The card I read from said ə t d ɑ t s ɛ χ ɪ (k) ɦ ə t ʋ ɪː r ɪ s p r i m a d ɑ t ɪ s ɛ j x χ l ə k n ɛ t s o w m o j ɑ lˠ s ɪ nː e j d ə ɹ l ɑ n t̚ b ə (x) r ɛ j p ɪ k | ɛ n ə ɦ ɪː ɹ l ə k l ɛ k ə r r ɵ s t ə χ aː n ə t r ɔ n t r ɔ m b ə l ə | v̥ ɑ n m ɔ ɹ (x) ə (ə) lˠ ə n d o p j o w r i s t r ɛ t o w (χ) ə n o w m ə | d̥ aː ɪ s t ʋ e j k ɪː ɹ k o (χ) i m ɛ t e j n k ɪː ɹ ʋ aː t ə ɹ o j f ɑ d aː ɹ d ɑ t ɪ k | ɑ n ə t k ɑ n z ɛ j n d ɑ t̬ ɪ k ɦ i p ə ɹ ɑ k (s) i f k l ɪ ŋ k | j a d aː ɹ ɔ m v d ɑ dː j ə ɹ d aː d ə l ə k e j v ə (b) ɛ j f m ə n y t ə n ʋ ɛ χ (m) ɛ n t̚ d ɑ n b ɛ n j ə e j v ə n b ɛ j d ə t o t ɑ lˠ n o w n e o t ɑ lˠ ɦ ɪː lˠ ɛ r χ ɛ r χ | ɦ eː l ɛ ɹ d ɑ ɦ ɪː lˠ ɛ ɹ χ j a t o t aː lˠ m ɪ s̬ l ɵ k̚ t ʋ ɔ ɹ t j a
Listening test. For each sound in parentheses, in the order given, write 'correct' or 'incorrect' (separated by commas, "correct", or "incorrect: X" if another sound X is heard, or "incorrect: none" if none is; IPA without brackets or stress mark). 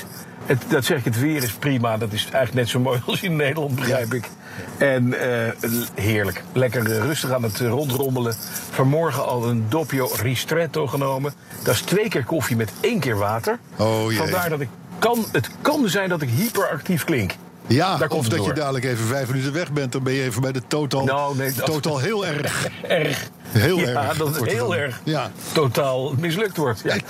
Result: correct, incorrect: χ, incorrect: χ, incorrect: ɑ, correct, incorrect: f, incorrect: t, incorrect: v, incorrect: b